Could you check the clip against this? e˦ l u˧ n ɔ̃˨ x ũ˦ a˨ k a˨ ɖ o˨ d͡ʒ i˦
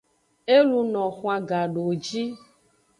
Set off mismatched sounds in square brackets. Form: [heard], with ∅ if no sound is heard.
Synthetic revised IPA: e˦ l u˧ n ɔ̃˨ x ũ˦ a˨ [ɡ] a˨ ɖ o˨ d͡ʒ i˦